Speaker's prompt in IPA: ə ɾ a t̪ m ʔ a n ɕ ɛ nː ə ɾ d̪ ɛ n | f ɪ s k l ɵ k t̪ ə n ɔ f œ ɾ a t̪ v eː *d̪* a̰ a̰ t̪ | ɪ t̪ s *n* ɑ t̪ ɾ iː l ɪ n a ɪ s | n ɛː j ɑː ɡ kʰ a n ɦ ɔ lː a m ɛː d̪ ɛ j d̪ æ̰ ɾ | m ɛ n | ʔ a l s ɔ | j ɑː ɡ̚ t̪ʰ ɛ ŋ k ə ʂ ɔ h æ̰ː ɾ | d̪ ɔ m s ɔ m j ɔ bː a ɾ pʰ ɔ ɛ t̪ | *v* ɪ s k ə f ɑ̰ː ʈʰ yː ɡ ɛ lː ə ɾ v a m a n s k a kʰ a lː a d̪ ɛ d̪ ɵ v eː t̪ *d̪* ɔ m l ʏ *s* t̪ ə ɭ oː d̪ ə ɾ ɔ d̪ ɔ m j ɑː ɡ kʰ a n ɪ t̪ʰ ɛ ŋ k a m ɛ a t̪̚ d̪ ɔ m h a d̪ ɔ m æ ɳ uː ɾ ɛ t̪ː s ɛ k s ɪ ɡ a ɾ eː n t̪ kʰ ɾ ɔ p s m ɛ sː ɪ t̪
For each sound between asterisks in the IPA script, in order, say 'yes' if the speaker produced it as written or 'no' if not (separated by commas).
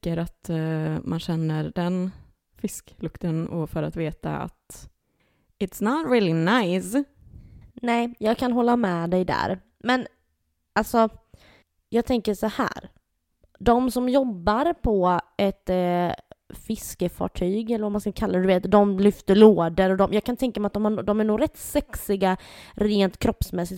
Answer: no, yes, no, yes, no